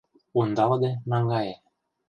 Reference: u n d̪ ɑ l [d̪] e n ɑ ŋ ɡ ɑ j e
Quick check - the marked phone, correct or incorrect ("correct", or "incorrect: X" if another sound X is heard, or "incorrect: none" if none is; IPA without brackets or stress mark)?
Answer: correct